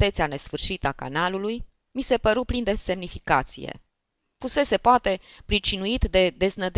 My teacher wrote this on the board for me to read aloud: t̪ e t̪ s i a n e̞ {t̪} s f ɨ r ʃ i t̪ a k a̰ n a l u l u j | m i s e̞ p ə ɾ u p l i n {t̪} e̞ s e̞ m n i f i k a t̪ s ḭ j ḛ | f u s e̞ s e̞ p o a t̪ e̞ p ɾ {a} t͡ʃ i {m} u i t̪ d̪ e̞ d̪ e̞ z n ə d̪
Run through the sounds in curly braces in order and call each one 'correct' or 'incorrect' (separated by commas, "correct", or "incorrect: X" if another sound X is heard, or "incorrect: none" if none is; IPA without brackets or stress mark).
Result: incorrect: none, incorrect: d̪, incorrect: i, incorrect: n